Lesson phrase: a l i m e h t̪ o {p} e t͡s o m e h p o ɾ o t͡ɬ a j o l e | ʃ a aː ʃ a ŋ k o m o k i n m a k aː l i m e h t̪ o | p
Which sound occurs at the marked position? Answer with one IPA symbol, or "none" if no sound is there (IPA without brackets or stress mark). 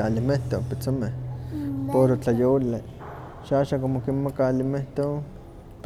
p